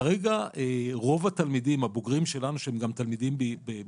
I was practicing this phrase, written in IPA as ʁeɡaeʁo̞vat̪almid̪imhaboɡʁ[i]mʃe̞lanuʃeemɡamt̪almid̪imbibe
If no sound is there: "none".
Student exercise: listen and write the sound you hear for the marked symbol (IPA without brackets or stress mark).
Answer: i